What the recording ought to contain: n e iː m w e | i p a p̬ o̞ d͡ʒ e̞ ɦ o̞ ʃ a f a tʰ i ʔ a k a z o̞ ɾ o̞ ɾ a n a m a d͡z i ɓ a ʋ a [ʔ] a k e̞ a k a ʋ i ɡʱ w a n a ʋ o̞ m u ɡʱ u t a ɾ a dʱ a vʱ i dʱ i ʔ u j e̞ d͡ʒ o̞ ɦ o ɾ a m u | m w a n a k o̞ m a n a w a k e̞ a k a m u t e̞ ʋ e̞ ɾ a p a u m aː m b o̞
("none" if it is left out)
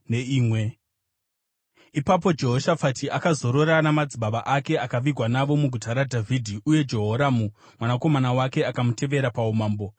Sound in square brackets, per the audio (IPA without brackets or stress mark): ʔ